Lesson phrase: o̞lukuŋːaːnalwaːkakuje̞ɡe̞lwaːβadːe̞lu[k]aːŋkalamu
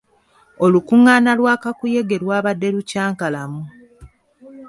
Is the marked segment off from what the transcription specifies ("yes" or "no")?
yes